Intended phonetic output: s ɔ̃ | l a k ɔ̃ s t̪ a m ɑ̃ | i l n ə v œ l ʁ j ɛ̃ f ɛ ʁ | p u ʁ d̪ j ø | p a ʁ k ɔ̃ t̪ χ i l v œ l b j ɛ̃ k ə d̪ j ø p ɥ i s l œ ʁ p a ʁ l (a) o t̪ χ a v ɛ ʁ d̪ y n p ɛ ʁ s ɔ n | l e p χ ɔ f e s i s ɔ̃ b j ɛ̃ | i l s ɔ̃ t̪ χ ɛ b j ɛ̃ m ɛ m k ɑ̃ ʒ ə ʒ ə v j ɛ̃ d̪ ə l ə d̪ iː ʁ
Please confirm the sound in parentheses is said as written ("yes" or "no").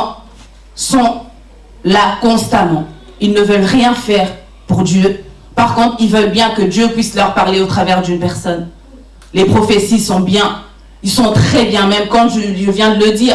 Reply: no